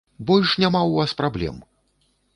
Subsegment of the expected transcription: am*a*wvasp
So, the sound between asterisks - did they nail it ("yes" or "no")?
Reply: yes